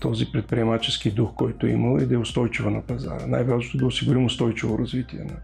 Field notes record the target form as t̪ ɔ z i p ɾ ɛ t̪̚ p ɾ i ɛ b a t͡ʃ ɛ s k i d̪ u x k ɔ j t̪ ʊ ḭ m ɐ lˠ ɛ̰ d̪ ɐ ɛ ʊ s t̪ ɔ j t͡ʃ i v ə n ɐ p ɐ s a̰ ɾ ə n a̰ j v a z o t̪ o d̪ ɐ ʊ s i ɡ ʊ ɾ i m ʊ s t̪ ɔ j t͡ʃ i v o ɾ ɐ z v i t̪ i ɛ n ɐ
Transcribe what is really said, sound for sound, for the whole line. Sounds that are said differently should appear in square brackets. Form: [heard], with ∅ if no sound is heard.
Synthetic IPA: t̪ ɔ z i p ɾ ɛ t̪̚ p ɾ i ɛ [m] a t͡ʃ ɛ s k i d̪ u x k ɔ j t̪ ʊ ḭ m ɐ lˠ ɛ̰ d̪ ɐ ɛ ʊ s t̪ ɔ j t͡ʃ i v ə n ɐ p ɐ [z] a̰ ɾ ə n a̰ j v a z o t̪ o d̪ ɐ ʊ s i ɡ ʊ ɾ i m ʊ s t̪ ɔ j t͡ʃ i v o ɾ ɐ z v i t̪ i ɛ n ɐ